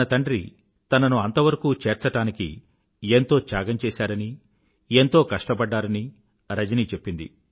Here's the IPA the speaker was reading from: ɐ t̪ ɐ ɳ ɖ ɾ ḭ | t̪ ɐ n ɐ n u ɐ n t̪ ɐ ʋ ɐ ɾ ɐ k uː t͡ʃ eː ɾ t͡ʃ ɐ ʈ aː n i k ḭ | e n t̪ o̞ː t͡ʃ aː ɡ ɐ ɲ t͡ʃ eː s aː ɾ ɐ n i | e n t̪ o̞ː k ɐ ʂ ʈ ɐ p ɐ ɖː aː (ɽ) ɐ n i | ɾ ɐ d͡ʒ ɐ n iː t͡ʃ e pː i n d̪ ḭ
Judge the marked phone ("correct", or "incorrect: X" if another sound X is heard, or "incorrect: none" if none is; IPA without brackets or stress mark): incorrect: ɾ